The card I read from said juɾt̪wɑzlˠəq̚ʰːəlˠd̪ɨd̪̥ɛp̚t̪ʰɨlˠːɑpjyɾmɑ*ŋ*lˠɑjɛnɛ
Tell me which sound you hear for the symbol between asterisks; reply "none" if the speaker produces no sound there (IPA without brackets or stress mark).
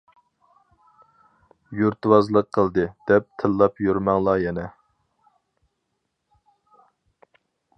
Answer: ŋ